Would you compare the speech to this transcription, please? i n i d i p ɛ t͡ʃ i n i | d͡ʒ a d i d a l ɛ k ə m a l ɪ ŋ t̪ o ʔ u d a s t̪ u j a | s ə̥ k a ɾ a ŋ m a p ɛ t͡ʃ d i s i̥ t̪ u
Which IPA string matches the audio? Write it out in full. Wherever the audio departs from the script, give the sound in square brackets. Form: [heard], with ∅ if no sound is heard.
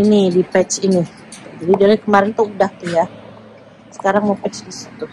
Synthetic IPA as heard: i n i d i p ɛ t͡ʃ i n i | d͡ʒ a d i d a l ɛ k ə m a [ɾ] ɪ [n] t̪ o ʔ u d a [h] t̪ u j a | s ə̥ k a ɾ a ŋ m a p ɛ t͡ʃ d i s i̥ t̪ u